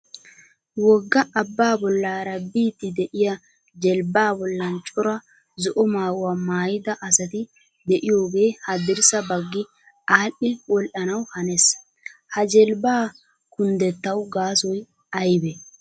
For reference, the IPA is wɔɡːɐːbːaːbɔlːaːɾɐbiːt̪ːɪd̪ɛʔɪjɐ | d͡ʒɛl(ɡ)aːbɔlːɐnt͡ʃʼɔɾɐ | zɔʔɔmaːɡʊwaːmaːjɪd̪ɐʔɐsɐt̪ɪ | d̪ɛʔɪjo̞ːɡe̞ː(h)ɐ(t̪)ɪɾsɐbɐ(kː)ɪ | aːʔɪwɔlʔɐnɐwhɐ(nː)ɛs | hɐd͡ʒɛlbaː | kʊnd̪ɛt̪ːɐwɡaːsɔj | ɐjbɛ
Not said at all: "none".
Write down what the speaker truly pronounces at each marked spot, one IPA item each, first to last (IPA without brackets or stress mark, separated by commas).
b, h, d̪, ɡː, n